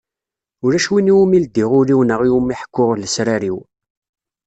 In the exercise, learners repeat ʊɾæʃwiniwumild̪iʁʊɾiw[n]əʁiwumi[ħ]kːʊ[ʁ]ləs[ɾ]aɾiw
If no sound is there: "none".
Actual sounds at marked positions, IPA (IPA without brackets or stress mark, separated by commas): n, ħ, ʁ, ɾ